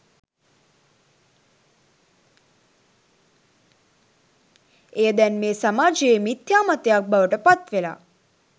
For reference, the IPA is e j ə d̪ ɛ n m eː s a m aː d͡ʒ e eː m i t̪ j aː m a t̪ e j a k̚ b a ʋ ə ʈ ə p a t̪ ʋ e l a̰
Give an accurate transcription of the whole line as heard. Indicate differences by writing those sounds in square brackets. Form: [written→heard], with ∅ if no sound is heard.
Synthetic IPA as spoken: e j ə d̪ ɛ n m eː s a m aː d͡ʒ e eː m i t̪ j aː m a t̪ e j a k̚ b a ʋ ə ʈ ə p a t̪ ʋ e l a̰